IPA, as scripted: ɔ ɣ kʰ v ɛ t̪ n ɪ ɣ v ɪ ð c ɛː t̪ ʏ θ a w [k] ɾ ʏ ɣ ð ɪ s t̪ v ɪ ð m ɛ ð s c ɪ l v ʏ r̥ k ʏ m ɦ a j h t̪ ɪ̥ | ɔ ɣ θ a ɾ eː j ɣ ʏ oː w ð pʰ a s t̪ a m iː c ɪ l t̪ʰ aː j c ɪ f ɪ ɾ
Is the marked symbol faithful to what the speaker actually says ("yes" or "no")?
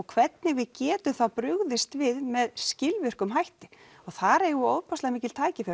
no